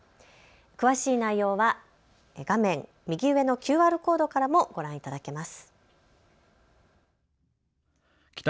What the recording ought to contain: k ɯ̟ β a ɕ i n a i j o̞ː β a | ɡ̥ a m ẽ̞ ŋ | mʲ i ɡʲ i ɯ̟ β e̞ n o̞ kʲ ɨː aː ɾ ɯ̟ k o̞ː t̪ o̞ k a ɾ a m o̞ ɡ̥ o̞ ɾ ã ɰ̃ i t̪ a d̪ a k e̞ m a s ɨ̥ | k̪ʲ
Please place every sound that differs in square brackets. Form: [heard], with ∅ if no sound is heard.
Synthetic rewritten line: k ɯ̟ β a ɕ [iː] n a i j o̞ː β a | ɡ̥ a m ẽ̞ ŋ | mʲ i ɡʲ i ɯ̟ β e̞ n o̞ kʲ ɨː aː ɾ ɯ̟ k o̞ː [d̪] o̞ k a ɾ a m o̞ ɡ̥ o̞ ɾ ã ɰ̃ i t̪ a d̪ a k e̞ m a s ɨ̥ | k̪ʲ